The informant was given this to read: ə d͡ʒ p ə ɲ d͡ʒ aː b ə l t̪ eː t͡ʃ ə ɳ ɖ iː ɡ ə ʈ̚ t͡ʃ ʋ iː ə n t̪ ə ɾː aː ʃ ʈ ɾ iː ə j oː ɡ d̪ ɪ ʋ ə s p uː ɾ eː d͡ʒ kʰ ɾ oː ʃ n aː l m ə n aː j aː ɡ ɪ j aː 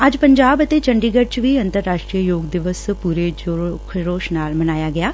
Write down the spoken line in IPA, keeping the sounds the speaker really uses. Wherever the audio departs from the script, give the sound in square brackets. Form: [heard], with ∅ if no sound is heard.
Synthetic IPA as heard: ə d͡ʒ p ə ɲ d͡ʒ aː b ə [∅] t̪ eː t͡ʃ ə ɳ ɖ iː ɡ ə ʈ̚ t͡ʃ ʋ iː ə n t̪ ə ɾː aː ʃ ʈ ɾ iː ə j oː ɡ d̪ ɪ ʋ ə s p uː ɾ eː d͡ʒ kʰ ɾ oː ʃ n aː l m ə n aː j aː ɡ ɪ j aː